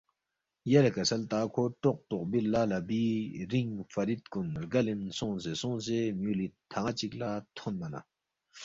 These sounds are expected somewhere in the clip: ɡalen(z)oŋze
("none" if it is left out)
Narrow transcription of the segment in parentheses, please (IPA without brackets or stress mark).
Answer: s